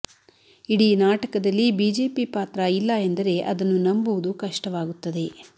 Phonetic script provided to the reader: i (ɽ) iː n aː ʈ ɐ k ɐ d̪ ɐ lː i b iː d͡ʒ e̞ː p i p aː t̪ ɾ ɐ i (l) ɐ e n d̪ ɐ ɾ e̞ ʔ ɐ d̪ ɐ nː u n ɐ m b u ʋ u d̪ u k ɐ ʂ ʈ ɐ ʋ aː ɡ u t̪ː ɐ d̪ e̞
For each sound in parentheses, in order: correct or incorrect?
correct, incorrect: lː

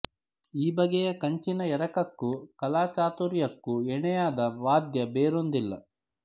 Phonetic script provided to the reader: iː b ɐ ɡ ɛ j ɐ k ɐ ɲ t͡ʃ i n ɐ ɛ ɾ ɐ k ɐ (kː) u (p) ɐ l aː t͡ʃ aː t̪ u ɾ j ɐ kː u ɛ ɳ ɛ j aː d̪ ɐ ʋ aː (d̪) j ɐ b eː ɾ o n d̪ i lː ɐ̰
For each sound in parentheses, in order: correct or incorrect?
correct, incorrect: k, correct

